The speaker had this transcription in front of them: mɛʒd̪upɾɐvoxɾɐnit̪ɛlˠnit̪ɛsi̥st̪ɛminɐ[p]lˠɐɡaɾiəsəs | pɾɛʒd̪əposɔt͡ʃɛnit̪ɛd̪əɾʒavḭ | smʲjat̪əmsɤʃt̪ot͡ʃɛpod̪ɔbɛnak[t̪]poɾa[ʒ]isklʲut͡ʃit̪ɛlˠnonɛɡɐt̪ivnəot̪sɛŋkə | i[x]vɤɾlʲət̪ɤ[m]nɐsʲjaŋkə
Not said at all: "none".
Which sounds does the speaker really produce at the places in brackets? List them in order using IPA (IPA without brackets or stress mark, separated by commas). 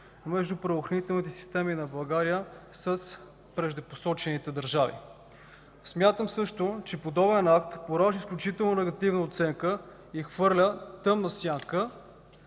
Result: b, t̪, ʒ, x, m